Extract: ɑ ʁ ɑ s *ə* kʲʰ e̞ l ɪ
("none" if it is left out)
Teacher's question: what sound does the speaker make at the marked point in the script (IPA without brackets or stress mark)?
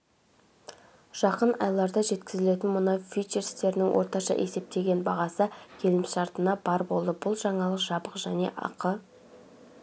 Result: ə